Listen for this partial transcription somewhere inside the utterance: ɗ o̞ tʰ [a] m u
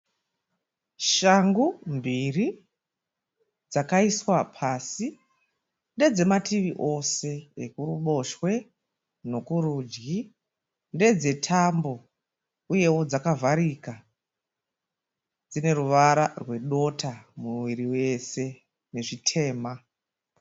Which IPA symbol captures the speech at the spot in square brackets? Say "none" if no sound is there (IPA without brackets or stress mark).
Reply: a